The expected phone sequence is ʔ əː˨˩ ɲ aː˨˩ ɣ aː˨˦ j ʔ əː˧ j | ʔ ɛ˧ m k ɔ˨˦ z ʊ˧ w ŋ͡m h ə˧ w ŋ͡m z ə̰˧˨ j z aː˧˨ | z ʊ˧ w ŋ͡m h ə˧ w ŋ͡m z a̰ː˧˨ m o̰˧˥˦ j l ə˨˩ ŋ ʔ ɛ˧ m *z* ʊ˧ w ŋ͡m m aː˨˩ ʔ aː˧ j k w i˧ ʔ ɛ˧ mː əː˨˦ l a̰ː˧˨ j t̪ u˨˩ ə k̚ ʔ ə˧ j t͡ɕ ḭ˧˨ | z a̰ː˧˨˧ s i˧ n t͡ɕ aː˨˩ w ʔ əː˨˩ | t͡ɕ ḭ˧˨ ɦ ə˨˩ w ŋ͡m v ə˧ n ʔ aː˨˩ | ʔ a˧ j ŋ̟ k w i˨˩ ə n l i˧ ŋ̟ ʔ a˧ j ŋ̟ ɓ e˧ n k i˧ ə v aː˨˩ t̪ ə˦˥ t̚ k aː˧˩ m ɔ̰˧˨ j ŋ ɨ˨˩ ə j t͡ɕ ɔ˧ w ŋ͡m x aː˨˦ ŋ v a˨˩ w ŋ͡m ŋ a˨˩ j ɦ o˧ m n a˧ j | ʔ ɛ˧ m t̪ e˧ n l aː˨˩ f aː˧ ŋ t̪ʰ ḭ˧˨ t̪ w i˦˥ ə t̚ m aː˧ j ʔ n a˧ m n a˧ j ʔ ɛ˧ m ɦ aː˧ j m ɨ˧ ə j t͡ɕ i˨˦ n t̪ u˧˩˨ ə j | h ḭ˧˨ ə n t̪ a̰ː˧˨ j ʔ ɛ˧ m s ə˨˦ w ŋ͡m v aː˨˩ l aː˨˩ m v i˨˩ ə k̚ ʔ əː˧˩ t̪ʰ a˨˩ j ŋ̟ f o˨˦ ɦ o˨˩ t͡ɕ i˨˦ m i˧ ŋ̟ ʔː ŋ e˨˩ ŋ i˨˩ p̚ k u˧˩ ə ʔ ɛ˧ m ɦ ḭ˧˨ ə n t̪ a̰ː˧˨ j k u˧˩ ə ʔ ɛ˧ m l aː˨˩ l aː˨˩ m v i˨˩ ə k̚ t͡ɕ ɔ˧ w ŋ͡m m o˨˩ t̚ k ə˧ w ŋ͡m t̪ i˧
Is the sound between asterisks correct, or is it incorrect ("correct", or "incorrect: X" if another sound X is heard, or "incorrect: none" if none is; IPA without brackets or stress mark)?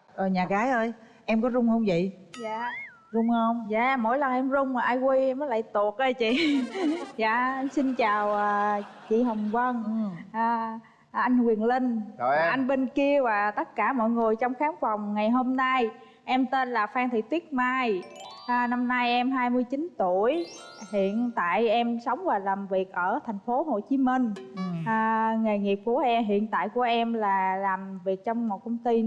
correct